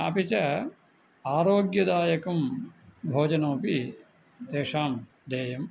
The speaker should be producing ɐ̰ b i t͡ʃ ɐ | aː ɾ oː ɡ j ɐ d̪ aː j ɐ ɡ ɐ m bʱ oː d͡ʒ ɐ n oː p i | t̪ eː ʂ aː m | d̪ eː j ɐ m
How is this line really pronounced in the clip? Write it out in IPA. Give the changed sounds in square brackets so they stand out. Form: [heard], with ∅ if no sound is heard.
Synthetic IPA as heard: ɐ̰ [p] i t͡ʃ ɐ | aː ɾ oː ɡ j ɐ d̪ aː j ɐ [k] ɐ m bʱ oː d͡ʒ ɐ n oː p i | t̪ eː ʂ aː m | d̪ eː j ɐ m